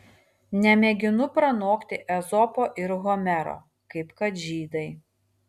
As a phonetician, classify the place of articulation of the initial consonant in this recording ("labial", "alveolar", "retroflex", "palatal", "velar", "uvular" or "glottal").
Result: alveolar